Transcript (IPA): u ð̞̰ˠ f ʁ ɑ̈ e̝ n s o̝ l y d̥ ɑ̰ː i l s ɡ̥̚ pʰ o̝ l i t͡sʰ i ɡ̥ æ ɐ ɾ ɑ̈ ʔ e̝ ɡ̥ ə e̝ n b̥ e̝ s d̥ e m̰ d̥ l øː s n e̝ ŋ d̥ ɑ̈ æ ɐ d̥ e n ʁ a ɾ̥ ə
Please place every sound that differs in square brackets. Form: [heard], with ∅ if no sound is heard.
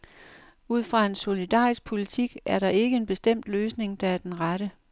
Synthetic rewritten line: u ð̞̰ˠ f ʁ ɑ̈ e̝ n s o̝ l [i] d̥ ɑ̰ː i [∅] s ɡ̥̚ pʰ o̝ l i t͡sʰ i ɡ̥ æ ɐ ɾ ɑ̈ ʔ e̝ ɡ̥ ə e̝ n b̥ e̝ s d̥ e m̰ d̥ l øː s n e̝ ŋ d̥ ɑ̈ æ ɐ d̥ e n ʁ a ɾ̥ ə